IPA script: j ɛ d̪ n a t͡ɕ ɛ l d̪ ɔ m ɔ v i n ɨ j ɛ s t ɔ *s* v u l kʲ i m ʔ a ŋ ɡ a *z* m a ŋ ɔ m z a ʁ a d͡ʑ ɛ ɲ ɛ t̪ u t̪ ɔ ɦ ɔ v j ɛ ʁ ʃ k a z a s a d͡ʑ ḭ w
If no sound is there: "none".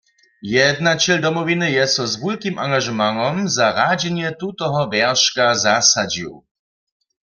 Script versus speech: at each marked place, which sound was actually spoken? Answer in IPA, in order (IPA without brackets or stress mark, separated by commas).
z, ʒ